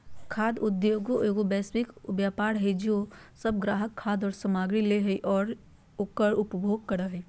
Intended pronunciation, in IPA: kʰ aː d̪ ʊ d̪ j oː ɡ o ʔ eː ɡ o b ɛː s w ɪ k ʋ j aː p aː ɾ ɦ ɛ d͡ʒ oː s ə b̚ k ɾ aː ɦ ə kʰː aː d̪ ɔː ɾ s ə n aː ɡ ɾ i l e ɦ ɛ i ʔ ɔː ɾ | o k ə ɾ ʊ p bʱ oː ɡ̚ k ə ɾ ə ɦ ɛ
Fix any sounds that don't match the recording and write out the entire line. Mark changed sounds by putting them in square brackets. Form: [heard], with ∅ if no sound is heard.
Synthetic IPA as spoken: kʰ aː d̪ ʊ d̪ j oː ɡ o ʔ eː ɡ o b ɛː s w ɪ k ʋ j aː p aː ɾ ɦ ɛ d͡ʒ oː s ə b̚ [ɡ] ɾ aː ɦ ə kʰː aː d̪ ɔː ɾ s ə [m] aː ɡ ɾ i l e ɦ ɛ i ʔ ɔː ɾ | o k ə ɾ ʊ p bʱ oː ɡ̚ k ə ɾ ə ɦ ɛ